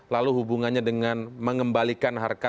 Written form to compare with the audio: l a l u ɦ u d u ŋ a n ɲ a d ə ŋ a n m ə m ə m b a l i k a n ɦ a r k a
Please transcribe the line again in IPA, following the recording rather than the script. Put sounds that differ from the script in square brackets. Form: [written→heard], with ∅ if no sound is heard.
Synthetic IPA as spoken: l a l u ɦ u [d→b] u ŋ a n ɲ a d ə ŋ a n m ə [m→ŋ] ə m b a l i k a n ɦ a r k a